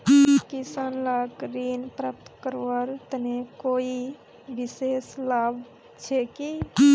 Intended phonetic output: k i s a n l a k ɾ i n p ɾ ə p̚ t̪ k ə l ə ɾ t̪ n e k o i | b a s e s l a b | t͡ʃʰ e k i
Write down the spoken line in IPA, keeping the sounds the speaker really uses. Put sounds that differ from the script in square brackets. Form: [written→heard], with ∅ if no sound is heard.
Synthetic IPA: k i s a n l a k ɾ i n p ɾ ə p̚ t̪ k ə [l→ɾ] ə ɾ t̪ n e k o i | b [a→i] s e s l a b | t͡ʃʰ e k i